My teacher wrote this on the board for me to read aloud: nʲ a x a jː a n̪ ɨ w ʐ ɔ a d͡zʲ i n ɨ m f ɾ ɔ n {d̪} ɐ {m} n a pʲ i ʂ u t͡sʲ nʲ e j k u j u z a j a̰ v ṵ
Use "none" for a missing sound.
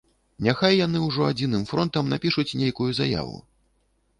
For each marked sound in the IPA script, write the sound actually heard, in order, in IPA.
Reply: t̪, m

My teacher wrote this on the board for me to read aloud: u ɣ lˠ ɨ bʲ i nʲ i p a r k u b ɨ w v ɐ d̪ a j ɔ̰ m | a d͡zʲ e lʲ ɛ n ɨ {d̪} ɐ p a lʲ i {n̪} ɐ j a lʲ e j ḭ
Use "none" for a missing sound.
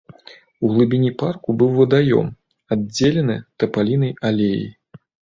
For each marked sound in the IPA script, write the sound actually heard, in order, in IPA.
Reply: t̪, n̪

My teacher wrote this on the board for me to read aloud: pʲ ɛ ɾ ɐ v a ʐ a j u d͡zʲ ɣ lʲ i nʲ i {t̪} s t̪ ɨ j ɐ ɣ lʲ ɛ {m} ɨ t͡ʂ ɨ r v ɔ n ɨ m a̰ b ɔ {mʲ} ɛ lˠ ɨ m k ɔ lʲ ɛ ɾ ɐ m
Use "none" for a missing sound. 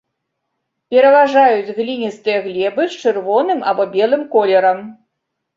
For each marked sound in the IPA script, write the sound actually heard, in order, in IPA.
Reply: none, b, bʲ

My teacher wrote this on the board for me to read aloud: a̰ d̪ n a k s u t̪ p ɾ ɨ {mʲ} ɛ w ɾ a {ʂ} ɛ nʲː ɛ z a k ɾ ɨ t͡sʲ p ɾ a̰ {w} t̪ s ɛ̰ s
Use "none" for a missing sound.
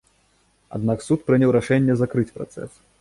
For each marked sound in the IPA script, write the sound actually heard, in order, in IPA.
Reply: nʲ, ʂ, none

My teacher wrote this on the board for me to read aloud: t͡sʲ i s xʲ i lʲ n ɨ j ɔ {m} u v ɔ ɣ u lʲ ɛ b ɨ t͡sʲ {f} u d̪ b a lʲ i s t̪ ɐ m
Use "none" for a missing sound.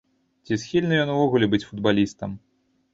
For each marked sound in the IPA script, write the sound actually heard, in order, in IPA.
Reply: n, f

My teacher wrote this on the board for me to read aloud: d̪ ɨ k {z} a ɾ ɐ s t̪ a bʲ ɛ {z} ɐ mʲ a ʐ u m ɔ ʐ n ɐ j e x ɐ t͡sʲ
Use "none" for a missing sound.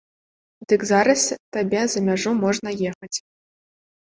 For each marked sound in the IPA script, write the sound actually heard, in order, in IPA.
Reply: z, z

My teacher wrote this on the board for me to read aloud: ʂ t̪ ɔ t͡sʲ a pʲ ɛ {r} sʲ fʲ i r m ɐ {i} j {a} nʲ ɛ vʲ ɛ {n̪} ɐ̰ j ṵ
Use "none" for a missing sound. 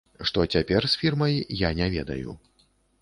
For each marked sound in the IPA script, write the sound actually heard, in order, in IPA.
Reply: r, j, a, d̪

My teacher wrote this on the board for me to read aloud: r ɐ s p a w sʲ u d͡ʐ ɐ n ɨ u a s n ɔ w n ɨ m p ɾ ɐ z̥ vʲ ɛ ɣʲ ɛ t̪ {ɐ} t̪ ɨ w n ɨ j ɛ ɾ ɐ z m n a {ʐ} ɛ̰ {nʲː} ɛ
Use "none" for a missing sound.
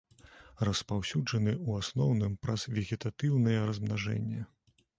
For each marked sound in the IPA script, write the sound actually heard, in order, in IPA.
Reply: a, ʐ, nʲː

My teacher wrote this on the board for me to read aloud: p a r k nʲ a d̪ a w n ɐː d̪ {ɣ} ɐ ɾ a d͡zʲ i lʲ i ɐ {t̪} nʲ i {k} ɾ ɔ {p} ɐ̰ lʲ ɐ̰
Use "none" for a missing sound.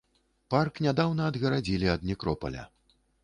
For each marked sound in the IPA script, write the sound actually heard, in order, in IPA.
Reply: ɣ, d̪, k, p

